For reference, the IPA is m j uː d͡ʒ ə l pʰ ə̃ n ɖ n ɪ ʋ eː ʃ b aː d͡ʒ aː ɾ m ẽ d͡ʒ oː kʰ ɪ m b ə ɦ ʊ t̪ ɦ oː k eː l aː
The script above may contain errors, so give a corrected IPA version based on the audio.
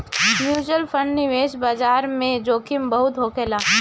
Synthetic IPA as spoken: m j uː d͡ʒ ə l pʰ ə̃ ɳ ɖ n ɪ ʋ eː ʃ b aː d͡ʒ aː ɾ m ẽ d͡ʒ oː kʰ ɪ m b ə ɦ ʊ t̪ ɦ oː k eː l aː